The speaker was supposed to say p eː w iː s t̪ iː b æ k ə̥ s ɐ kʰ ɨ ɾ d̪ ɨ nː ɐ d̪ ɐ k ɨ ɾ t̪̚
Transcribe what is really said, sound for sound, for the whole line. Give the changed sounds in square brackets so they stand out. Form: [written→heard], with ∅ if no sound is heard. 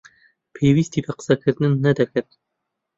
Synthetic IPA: [p→pʰ] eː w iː s t̪ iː b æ [k→q] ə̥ s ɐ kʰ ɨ ɾ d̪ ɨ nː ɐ d̪ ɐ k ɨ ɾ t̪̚